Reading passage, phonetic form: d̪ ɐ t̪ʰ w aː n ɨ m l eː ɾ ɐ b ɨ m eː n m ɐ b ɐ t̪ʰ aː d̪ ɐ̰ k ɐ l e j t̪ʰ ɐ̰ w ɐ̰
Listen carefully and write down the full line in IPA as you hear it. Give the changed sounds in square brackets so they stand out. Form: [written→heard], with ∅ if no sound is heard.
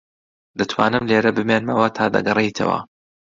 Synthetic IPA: d̪ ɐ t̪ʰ w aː n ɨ m l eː ɾ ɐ b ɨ m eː n m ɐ [b→w] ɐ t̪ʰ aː d̪ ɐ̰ [k→ɡ] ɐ [l→r] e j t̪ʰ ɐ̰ w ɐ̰